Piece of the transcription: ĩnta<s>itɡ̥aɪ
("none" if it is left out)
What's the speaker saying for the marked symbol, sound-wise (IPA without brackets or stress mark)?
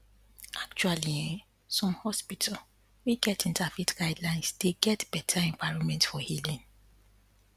f